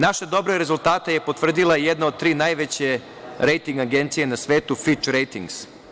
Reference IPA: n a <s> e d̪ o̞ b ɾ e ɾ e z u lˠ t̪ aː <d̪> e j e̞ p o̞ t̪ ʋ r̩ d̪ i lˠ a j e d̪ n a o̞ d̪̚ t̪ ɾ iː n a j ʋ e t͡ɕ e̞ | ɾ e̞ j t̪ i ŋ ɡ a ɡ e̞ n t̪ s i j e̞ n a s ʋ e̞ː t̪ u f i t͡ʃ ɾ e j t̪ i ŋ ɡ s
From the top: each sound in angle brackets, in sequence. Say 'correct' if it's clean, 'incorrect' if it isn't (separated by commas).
incorrect, incorrect